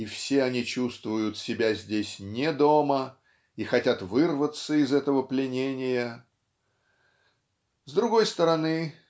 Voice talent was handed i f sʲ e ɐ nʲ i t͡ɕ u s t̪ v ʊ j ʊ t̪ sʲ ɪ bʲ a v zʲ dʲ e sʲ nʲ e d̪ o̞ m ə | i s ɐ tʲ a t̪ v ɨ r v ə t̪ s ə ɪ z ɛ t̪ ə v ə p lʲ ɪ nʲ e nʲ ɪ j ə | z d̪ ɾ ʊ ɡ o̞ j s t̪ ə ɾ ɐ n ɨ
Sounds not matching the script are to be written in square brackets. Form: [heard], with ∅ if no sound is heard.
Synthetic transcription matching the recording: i f sʲ e ɐ nʲ i t͡ɕ u s t̪ v ʊ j ʊ t̪ sʲ ɪ bʲ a [∅] zʲ dʲ e sʲ nʲ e d̪ o̞ m ə | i [x] ɐ tʲ a t̪ v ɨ r v ə t̪ s ə ɪ z ɛ t̪ ə v ə p lʲ ɪ nʲ e nʲ ɪ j ə | z d̪ ɾ ʊ ɡ o̞ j s t̪ ə ɾ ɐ n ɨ